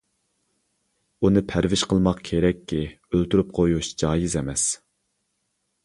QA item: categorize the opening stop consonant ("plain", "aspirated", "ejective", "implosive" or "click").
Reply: aspirated